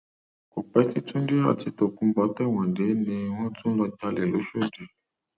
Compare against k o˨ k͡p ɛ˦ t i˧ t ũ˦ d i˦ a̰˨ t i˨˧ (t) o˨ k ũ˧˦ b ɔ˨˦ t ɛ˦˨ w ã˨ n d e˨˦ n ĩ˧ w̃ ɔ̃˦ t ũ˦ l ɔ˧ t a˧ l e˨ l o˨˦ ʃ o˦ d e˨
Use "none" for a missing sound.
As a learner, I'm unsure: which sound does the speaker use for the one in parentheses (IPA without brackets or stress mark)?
t